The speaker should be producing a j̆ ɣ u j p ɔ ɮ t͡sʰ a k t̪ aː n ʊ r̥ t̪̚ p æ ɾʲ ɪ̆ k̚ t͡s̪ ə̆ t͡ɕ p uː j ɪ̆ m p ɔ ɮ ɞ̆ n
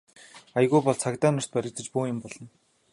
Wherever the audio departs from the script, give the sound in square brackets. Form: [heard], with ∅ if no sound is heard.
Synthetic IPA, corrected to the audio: a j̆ ɣ u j p ɔ ɮ t͡sʰ a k t̪ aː n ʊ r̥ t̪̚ p æ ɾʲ ɪ̆ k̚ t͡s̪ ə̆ t͡ɕ p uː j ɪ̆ m p ɔ ɮ ɞ̆ n